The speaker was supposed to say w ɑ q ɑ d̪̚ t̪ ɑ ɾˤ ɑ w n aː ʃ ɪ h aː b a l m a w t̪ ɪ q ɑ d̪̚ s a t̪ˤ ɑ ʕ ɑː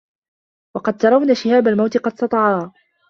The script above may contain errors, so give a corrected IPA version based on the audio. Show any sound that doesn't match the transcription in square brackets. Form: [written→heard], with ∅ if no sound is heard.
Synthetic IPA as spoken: w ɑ q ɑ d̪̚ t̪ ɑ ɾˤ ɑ w n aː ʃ ɪ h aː b a l m a w t̪ ɪ q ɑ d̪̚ s [a→ɑ] t̪ˤ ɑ ʕ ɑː

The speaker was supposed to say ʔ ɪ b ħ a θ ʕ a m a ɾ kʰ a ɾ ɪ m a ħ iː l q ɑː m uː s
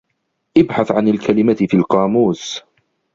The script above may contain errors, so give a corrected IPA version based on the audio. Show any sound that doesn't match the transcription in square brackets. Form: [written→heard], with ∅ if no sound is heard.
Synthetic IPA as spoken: ʔ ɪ b ħ a θ ʕ a [m→n] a [ɾ→l] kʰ a [ɾ→l] ɪ m a [ħ→f] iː l q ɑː m uː s

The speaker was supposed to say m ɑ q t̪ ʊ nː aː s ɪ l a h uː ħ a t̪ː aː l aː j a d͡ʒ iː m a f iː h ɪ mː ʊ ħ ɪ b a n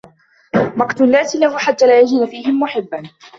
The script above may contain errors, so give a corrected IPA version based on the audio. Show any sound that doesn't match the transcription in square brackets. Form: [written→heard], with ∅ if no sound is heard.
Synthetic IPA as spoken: m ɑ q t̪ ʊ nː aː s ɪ l a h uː ħ a t̪ː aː l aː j a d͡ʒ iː [m→n] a f iː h ɪ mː ʊ ħ ɪ [b→bː] a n

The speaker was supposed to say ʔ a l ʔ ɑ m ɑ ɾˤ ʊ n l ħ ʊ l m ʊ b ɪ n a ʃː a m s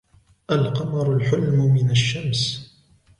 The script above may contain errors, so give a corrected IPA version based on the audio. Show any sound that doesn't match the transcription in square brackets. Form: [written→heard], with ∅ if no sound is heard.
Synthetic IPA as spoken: ʔ a l [ʔ→q] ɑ m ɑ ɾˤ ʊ [n→∅] l ħ ʊ l m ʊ [b→m] ɪ n a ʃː a m s

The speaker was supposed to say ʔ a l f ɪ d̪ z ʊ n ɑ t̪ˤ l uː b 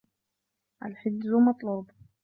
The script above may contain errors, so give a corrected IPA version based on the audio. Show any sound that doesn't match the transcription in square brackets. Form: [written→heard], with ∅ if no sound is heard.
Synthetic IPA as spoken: ʔ a l [f→ħ] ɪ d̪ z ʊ [n→m] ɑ t̪ˤ l uː b

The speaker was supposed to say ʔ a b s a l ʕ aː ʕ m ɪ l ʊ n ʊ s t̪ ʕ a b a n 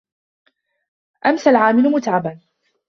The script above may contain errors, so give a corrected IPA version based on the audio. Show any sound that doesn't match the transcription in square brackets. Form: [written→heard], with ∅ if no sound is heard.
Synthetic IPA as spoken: ʔ a [b→m] s a l ʕ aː [ʕ→∅] m ɪ l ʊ [n→m] ʊ [s→∅] t̪ ʕ a b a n

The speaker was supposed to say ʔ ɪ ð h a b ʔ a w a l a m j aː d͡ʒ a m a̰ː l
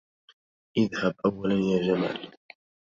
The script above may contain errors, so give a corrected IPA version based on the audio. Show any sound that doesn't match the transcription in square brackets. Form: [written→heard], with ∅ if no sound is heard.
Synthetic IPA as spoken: ʔ ɪ ð h a b ʔ a [w→wː] a l a [m→n] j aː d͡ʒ a m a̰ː l

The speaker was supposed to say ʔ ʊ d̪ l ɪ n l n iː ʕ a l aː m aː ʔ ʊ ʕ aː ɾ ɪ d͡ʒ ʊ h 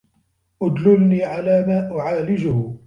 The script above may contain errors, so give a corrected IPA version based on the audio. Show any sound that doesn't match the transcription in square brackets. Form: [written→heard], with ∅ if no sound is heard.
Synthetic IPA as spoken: ʔ ʊ d̪ l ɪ [n→∅] l n iː ʕ a l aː m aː ʔ ʊ ʕ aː [ɾ→l] ɪ d͡ʒ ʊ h

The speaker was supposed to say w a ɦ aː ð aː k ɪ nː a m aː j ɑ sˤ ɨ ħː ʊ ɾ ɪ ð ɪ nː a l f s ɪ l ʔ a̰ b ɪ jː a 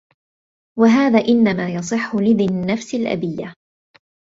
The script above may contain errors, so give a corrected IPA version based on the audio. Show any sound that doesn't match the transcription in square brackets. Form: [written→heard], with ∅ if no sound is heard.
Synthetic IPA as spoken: w a ɦ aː ð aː [k→ʔ] ɪ nː a m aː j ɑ sˤ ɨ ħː ʊ [ɾ→l] ɪ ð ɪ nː a [l→∅] f s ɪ l ʔ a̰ b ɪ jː a

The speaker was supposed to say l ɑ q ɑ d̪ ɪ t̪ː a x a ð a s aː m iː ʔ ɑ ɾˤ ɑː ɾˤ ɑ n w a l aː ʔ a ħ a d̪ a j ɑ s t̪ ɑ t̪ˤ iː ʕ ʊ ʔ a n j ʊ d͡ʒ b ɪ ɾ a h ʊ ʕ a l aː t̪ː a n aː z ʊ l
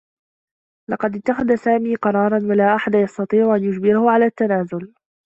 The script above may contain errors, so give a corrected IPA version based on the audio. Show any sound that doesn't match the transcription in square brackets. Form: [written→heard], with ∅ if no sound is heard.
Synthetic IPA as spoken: l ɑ q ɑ d̪ ɪ t̪ː a x a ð a s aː m iː [ʔ→q] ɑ ɾˤ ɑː ɾˤ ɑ n w a l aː ʔ a ħ a d̪ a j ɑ s t̪ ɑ t̪ˤ iː ʕ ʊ ʔ a n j ʊ d͡ʒ b ɪ ɾ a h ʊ ʕ a l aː t̪ː a n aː z ʊ l

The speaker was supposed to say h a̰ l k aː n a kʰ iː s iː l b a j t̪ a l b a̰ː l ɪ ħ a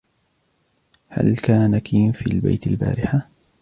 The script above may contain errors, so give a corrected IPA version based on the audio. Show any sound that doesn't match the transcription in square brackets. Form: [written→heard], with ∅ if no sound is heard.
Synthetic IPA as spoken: h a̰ l k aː n a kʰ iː [s→f] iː l b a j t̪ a l b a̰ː [l→ɾ] ɪ ħ a

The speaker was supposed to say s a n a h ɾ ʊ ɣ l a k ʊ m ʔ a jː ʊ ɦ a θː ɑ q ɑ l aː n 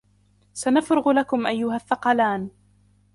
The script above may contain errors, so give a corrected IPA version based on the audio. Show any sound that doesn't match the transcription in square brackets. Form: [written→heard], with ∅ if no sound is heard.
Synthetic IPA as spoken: s a n a [h→f] ɾ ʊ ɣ l a k ʊ m ʔ a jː ʊ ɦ a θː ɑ q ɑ l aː n

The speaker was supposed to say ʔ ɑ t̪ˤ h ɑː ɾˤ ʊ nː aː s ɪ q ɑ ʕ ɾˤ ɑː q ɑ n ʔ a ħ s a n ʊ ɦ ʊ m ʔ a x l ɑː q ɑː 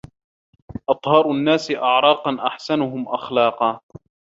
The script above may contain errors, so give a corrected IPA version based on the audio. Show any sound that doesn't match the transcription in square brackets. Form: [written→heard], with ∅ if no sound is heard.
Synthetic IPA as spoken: ʔ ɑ t̪ˤ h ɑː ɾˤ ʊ nː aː s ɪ [q→ʔ] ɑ ʕ ɾˤ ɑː q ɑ n ʔ a ħ s a n ʊ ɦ ʊ m ʔ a x l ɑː q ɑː

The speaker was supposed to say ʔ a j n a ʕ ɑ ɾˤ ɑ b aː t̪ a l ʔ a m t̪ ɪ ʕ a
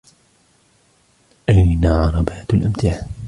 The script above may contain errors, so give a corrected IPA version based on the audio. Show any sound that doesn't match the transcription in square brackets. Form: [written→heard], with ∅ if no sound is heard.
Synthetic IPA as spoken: ʔ a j n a ʕ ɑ ɾˤ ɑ b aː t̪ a l ʔ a m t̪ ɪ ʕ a

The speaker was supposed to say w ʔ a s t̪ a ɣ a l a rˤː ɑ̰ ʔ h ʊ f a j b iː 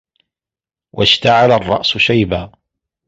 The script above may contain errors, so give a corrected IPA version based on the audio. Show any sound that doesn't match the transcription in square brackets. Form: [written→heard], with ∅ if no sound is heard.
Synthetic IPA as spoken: w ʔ a [s→ʃ] t̪ a [ɣ→ʕ] a l a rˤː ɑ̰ ʔ [h→s] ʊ [f→ʃ] a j b [iː→aː]

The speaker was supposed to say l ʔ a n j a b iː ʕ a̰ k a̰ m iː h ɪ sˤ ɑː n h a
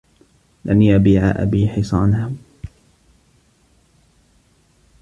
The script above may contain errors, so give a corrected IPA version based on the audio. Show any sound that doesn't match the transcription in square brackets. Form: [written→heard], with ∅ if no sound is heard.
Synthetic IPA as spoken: l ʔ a n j a b iː ʕ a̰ [k→ʔ] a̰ [m→b] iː [h→ħ] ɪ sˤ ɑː n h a

